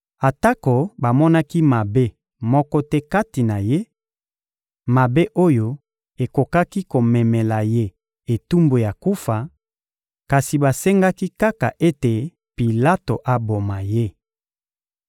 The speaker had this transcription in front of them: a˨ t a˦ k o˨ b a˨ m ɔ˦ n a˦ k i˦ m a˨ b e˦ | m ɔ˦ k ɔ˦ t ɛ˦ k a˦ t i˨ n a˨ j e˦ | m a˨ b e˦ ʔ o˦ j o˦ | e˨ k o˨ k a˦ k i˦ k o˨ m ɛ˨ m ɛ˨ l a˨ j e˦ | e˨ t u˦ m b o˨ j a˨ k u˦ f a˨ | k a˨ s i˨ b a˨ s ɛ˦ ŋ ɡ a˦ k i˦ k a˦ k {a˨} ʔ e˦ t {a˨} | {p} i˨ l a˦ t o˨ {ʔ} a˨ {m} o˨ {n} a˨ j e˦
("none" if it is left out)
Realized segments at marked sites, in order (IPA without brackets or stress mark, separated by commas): a˨, e˨, p, ʔ, b, m